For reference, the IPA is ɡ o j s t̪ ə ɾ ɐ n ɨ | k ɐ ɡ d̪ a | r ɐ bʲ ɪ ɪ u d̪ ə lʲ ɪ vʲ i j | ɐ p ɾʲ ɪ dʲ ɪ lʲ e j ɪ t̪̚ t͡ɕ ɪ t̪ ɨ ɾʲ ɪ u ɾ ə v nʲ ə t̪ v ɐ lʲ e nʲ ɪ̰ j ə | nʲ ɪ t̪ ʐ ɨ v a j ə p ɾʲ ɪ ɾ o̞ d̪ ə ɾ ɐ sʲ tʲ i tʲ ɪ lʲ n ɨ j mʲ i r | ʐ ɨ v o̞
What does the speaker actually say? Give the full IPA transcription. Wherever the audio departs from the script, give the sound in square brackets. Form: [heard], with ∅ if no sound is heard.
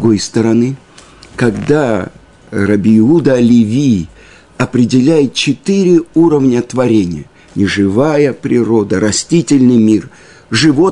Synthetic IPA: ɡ o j s t̪ ə ɾ ɐ n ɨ | k ɐ ɡ d̪ a | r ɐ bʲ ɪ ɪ u d̪ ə lʲ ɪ vʲ i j | ɐ p ɾʲ ɪ dʲ ɪ lʲ [æ] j ɪ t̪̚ t͡ɕ ɪ t̪ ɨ ɾʲ ɪ u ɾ ə v nʲ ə t̪ v ɐ [ɾʲ] e nʲ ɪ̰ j ə | nʲ ɪ [∅] ʐ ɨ v a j ə p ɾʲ ɪ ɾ o̞ d̪ ə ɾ ɐ sʲ tʲ i tʲ ɪ lʲ n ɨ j mʲ i r | ʐ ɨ v o̞